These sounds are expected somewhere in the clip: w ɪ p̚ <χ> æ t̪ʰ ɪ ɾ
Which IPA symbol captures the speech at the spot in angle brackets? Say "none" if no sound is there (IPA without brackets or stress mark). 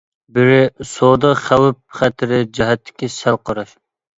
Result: χ